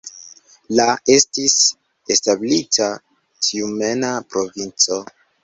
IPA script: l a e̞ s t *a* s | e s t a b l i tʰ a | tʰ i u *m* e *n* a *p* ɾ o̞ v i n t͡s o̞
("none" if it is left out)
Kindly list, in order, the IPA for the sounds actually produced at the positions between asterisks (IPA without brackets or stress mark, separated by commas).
i, m, n, p